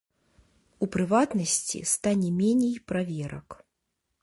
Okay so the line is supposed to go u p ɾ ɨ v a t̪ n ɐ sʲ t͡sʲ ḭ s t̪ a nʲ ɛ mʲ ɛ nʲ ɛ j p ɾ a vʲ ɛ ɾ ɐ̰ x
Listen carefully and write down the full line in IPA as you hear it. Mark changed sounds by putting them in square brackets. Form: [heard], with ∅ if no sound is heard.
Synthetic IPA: u p ɾ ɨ v a t̪ n ɐ sʲ t͡sʲ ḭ s t̪ a nʲ ɛ mʲ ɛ nʲ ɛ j p ɾ a vʲ ɛ ɾ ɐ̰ [k]